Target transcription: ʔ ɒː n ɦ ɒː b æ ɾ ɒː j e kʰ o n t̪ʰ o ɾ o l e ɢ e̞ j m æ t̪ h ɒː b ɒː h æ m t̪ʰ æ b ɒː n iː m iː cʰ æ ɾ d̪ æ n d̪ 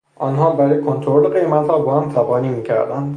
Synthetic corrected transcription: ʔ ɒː n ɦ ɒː b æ ɾ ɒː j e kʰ o n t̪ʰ o ɾ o l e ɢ e̞ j m æ t̪ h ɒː b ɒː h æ m t̪ʰ æ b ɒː n iː m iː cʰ æ ɾ d̪ æ n d̪

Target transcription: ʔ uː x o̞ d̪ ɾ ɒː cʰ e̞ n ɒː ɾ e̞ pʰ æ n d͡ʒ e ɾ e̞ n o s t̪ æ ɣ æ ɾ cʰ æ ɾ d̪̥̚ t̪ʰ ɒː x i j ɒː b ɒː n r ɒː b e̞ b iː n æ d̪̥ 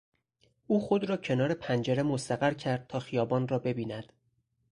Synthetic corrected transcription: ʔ uː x o̞ d̪ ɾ ɒː cʰ e̞ n ɒː ɾ e̞ pʰ æ n d͡ʒ e ɾ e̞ m o s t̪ æ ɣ æ ɾ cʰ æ ɾ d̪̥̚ t̪ʰ ɒː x i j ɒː b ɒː n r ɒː b e̞ b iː n æ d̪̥

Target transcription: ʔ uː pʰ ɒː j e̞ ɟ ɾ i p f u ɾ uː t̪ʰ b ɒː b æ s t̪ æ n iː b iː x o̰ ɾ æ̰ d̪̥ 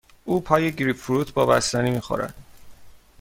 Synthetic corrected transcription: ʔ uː pʰ ɒː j e̞ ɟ ɾ i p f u ɾ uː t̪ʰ b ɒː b æ s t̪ æ n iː m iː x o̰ ɾ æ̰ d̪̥

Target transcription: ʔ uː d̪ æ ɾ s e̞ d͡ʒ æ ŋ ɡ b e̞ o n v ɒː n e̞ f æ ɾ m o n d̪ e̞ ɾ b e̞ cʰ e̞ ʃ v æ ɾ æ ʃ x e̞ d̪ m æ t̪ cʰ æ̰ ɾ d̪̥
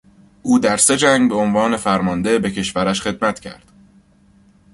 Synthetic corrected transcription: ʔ uː d̪ æ ɾ s e̞ d͡ʒ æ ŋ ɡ b e̞ o n v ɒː n e̞ f æ ɾ m ɒ n d̪ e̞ b e̞ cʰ e̞ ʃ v æ ɾ æ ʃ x e̞ d̪ m æ t̪ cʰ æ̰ ɾ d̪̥

